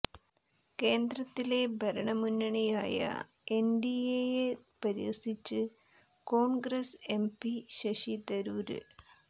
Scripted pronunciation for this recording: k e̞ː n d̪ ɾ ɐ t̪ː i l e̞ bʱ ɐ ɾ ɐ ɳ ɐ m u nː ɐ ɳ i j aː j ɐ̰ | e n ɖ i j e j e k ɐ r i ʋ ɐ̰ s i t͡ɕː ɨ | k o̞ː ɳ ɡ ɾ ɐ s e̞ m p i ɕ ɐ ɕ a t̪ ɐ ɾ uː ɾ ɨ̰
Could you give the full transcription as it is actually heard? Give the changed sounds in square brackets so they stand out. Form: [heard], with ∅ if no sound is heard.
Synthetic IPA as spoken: k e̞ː n d̪ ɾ ɐ t̪ː i l e̞ bʱ ɐ ɾ ɐ ɳ ɐ m u nː ɐ ɳ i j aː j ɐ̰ | e n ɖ i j e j e [p] ɐ [ɾ] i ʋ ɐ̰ s i t͡ɕː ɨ | k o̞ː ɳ ɡ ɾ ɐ s e̞ m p i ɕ ɐ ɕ [i] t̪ ɐ ɾ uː ɾ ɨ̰